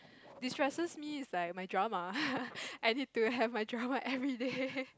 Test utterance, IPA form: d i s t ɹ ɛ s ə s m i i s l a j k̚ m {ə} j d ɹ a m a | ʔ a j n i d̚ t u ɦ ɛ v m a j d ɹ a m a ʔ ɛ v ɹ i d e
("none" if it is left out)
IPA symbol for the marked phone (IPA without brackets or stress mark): a